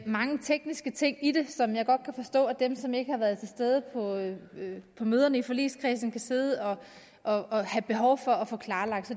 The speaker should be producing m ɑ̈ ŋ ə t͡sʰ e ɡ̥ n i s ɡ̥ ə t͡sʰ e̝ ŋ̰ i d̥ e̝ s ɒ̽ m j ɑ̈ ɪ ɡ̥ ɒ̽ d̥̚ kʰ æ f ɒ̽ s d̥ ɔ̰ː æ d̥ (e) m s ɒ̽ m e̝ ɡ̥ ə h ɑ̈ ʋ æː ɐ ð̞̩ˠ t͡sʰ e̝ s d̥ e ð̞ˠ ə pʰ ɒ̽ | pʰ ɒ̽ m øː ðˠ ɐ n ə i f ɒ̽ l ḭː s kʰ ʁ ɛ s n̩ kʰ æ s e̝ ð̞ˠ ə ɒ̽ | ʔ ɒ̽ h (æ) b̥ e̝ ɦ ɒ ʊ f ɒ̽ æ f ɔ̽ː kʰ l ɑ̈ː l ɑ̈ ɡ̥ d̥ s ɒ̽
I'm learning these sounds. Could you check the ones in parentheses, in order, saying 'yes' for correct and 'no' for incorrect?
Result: yes, yes

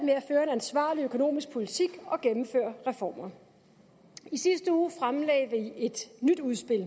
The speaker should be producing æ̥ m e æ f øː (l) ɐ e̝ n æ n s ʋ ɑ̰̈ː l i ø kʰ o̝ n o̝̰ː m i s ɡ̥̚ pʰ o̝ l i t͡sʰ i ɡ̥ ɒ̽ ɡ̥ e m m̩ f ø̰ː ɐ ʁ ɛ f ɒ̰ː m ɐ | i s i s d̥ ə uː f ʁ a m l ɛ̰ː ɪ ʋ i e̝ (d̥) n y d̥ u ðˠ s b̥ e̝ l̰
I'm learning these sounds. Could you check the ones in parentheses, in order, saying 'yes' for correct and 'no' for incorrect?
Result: no, yes

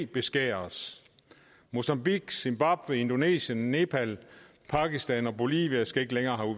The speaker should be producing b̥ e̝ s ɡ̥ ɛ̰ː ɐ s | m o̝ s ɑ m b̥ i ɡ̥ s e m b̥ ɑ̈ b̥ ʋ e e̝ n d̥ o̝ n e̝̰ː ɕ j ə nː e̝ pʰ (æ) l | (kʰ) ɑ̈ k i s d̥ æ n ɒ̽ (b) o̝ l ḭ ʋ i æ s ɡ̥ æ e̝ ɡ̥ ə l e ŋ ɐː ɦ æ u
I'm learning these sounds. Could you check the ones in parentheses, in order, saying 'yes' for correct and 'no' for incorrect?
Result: yes, no, yes

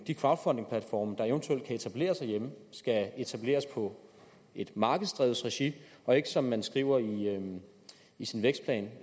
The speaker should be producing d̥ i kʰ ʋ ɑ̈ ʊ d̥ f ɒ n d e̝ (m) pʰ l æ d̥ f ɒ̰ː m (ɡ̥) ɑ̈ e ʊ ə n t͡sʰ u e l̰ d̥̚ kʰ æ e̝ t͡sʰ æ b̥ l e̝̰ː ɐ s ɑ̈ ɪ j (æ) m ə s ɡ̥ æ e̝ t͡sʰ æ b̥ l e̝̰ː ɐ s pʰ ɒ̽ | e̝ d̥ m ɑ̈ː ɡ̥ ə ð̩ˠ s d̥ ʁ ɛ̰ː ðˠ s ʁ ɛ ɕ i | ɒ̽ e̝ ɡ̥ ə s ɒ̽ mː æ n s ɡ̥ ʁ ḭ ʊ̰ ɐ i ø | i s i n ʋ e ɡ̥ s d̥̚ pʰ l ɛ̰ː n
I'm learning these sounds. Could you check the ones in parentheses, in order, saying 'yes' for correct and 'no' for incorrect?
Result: no, no, no

